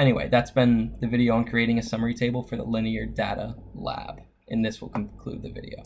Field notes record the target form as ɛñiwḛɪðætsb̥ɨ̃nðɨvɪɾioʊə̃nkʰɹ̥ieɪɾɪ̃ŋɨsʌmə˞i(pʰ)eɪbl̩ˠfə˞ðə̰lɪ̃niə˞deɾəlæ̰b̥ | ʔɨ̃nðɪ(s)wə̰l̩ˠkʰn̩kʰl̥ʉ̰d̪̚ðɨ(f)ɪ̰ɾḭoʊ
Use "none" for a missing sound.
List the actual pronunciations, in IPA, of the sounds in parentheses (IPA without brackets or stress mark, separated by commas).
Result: tʰ, s, v